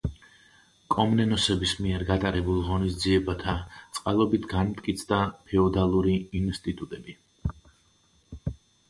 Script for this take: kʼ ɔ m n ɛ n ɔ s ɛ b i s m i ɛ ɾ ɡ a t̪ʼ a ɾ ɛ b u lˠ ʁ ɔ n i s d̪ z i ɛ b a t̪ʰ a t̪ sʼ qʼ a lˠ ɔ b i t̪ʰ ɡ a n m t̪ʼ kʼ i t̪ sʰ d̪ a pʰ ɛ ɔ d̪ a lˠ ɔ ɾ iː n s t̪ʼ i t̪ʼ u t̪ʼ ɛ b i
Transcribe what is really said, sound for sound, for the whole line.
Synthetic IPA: kʼ ɔ m n ɛ n ɔ s ɛ b i s m i ɛ ɾ ɡ a t̪ʼ a ɾ ɛ b u lˠ ʁ ɔ n i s d̪ z i ɛ b a t̪ʰ a t̪ sʼ qʼ a lˠ ɔ b i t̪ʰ ɡ a n m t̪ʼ kʼ i t̪ sʰ d̪ a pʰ ɛ ɔ d̪ a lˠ u ɾ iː n s t̪ʼ i t̪ʼ u t̪ʼ ɛ b i